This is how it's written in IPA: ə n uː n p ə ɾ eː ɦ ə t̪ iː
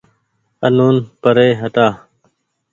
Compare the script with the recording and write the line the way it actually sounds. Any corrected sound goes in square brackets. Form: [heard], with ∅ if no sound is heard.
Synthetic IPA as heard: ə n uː n p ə ɾ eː ɦ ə t̪ [aː]